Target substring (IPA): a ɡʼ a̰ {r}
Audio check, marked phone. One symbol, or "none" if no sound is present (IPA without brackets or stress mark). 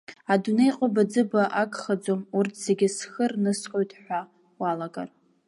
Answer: r